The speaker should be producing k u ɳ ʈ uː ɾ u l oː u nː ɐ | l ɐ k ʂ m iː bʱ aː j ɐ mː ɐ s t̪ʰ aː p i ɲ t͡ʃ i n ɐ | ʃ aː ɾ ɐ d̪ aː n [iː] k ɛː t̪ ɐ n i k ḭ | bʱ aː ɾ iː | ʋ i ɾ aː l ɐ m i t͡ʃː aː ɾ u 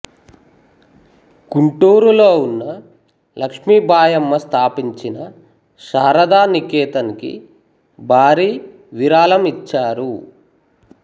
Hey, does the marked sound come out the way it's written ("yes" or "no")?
no